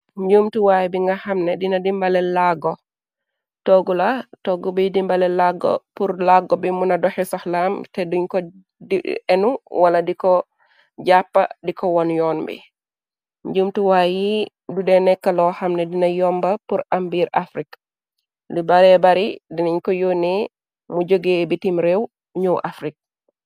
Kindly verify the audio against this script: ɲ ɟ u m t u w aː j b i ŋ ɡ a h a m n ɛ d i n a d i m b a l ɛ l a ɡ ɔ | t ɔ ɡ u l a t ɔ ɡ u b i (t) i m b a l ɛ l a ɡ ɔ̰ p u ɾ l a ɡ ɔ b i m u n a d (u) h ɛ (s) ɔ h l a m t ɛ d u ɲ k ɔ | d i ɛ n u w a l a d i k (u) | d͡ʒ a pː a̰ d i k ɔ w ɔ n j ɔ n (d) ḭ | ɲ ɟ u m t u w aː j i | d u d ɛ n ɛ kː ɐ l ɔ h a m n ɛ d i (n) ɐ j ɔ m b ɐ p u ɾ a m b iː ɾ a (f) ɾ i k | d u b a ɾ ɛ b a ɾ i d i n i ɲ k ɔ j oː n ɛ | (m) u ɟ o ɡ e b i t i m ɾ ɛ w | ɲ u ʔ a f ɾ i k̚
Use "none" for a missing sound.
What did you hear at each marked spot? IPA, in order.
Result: d, ɔ, s, ɔ, b, n, f, m

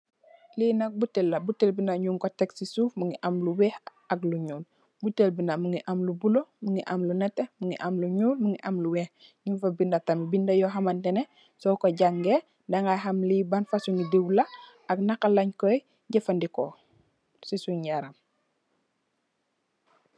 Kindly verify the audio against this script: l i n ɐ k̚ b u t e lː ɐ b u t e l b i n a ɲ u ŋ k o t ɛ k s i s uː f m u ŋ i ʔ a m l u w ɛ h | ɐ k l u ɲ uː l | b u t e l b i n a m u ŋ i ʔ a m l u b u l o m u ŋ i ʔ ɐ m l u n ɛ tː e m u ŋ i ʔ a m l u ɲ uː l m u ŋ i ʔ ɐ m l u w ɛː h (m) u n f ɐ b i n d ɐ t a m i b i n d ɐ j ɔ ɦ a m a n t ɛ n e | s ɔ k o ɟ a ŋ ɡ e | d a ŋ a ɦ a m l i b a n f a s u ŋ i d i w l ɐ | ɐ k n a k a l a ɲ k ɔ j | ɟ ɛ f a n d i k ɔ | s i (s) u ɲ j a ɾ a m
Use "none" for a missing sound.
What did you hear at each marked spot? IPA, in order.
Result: ɲ, s

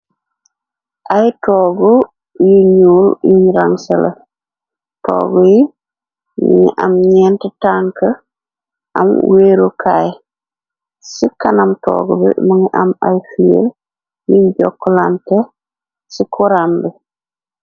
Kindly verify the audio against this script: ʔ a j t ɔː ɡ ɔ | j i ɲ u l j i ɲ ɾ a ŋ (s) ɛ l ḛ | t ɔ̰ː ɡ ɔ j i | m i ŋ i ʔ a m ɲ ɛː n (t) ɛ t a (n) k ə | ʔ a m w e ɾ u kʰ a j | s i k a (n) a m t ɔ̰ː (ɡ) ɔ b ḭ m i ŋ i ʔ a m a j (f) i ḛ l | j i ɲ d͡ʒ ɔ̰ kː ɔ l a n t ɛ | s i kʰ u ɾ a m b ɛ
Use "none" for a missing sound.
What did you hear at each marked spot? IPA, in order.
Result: s, t, ŋ, n, ɡ, f

